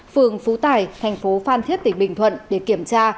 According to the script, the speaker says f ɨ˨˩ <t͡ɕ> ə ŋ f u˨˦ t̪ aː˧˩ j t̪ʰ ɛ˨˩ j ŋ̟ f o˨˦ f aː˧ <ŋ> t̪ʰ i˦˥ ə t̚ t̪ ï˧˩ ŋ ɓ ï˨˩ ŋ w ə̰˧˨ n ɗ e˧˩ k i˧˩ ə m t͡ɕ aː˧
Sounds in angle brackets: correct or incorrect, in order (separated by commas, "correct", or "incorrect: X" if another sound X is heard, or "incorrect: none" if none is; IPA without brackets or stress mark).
incorrect: none, incorrect: n